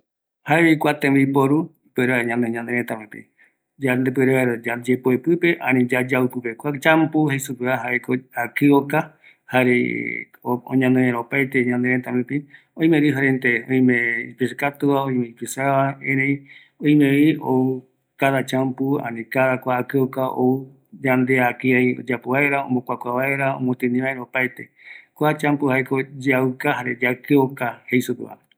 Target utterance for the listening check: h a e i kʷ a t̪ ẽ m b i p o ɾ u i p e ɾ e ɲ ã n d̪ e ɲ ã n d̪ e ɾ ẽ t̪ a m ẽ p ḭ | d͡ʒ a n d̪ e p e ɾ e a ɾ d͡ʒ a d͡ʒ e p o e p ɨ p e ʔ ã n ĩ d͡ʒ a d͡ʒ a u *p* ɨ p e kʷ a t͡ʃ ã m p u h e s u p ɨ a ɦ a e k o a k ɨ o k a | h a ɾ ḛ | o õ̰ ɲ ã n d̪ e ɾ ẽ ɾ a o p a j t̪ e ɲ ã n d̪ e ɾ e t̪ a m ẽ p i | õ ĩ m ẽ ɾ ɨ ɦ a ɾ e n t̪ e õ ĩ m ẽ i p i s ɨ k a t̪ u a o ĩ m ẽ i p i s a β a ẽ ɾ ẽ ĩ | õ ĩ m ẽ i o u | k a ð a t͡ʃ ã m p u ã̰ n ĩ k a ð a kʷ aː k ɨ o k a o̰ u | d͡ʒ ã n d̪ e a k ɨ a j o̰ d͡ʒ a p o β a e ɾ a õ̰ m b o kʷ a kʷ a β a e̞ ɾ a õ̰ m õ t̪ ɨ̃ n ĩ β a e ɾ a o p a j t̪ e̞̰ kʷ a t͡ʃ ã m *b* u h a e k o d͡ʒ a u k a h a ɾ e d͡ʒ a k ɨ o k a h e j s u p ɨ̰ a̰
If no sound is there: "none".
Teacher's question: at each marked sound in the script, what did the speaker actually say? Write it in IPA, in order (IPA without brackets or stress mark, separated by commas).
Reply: p, p